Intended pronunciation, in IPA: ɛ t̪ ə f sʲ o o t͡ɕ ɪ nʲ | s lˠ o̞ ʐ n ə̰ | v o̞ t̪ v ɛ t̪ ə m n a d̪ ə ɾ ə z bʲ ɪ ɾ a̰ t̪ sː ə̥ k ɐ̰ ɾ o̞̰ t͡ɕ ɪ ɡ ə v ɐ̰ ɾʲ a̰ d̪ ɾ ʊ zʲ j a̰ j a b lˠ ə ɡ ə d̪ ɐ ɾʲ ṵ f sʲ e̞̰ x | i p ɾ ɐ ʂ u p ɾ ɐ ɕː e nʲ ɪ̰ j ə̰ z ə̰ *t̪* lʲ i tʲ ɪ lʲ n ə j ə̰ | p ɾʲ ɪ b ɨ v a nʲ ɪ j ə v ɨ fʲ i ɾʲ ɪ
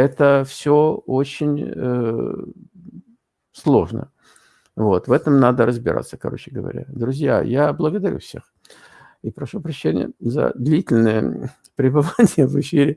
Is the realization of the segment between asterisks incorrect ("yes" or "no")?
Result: yes